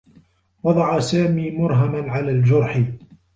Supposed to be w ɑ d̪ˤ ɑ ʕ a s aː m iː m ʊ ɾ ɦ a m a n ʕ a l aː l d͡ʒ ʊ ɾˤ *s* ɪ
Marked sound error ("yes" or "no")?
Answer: yes